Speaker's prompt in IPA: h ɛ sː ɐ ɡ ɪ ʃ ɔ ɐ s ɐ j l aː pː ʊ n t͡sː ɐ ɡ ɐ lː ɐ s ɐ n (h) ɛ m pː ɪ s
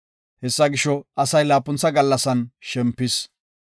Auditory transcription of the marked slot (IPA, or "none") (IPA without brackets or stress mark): ʃ